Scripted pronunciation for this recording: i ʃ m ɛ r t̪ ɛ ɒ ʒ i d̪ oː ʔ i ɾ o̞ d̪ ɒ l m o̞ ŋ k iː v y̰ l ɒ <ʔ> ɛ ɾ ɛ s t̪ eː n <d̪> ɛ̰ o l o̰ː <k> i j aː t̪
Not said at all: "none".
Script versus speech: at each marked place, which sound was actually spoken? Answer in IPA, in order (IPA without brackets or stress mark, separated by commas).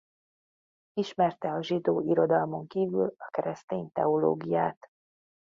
k, t̪, ɡ